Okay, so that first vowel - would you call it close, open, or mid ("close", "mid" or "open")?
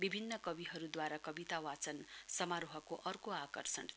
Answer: close